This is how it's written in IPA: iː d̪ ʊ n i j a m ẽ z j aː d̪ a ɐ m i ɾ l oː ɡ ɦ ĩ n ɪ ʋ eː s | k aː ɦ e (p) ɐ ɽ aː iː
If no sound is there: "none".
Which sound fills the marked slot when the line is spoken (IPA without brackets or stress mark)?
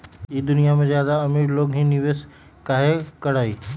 k